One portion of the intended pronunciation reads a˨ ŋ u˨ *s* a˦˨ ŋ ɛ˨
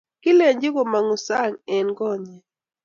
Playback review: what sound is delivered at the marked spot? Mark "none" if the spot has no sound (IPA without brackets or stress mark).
s